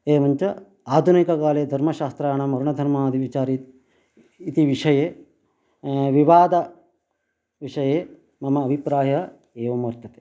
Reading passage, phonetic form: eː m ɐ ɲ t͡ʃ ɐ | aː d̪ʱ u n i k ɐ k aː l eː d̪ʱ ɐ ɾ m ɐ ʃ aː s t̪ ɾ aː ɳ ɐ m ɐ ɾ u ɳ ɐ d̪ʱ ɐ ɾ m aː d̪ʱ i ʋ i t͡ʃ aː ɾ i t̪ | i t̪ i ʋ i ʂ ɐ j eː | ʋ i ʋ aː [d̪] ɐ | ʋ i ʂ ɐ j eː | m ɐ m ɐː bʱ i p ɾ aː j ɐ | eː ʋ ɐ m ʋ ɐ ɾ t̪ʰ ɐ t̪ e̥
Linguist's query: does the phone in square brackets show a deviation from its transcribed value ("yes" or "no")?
no